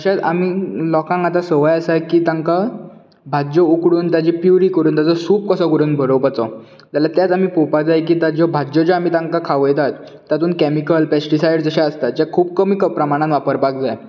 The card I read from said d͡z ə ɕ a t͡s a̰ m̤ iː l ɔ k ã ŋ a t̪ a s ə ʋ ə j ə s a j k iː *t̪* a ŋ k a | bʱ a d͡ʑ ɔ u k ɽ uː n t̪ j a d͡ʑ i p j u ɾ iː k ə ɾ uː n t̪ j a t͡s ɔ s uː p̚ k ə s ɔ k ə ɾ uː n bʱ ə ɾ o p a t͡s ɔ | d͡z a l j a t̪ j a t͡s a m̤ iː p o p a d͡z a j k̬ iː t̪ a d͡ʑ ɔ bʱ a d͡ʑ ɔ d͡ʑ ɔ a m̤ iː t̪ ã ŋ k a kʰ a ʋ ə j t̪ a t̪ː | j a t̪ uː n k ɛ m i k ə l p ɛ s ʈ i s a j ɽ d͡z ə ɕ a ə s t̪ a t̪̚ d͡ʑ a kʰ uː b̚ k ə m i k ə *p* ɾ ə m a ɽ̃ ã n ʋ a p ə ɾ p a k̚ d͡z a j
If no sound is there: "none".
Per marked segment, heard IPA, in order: t̪, p

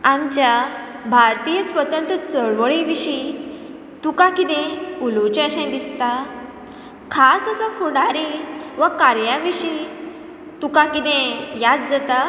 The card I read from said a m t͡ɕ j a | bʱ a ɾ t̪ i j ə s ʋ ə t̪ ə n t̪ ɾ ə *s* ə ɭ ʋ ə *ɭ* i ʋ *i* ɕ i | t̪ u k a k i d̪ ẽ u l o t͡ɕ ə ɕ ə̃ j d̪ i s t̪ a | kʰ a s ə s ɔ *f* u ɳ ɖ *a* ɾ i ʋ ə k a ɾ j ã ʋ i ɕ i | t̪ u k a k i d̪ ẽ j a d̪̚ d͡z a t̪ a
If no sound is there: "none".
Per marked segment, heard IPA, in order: t͡s, ɭ, i, f, a

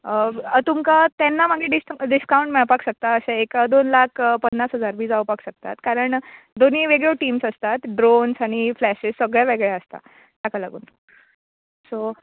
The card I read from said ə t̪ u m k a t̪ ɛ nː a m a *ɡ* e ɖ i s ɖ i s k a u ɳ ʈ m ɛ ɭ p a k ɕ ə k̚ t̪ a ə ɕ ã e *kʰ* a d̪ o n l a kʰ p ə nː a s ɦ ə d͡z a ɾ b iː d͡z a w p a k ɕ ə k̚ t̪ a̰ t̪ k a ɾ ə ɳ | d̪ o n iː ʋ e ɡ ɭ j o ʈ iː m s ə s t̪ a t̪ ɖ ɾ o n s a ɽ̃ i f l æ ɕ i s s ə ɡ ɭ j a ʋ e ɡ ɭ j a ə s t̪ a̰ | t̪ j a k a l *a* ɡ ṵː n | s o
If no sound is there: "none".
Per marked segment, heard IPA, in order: ɡ, k, a

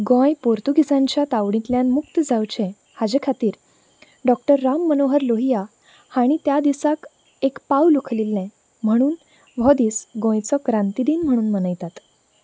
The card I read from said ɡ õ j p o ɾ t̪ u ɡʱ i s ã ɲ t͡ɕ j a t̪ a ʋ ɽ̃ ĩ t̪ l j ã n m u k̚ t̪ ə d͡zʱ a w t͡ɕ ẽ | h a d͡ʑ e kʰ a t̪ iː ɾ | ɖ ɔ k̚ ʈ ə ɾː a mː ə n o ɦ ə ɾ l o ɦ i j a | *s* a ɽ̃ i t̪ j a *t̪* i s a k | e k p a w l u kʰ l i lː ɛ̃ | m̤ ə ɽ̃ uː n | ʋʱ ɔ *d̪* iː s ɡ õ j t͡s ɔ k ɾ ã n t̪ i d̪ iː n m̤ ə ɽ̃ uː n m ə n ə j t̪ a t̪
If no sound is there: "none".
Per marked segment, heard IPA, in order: h, d̪, d̪

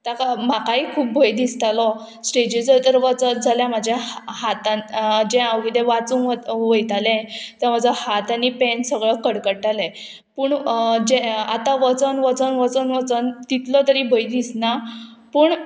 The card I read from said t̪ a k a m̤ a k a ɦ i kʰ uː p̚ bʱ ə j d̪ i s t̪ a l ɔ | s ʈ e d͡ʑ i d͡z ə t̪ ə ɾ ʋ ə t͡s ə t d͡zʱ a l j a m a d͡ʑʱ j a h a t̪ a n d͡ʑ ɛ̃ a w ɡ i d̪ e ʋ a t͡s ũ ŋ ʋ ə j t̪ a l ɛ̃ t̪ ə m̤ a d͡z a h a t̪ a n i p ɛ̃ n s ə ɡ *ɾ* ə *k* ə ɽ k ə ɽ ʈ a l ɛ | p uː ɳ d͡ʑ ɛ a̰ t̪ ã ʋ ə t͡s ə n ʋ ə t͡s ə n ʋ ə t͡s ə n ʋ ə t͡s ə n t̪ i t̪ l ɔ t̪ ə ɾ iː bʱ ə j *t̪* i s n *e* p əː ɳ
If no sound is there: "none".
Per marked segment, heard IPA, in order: ɭ, k, d̪, a

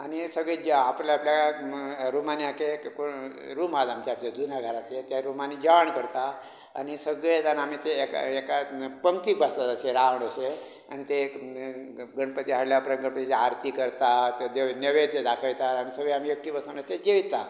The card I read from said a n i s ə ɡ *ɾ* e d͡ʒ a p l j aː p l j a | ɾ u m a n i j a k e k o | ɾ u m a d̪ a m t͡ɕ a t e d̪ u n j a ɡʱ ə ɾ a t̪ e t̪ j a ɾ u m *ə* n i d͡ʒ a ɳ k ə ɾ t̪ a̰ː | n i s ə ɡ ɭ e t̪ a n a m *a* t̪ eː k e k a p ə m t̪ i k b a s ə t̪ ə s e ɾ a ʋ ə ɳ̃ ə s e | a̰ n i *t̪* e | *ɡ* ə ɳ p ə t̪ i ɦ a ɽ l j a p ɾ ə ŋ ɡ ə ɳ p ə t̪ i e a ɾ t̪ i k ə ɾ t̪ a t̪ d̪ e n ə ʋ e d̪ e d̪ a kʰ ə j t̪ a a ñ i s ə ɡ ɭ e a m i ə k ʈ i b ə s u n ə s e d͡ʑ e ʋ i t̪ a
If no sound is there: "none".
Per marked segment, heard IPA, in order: ɭ, a, i, t̪, ɡ

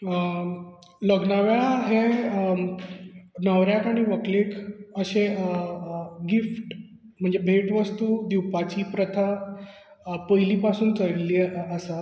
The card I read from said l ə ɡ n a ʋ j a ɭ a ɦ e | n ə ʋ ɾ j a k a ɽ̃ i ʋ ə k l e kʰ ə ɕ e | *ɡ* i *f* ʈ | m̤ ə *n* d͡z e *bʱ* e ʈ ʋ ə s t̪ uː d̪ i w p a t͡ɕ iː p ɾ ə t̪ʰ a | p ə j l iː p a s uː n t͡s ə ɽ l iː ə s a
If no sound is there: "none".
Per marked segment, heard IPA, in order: ɡ, f, ɳ, bʱ

